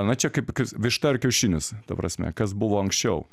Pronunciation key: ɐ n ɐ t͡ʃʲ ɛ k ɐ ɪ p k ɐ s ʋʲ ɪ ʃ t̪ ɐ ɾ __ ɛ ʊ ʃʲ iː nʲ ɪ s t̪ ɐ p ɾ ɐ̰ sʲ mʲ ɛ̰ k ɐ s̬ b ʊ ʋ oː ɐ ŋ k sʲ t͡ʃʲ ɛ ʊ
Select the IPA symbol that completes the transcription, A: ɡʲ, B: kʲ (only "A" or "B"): B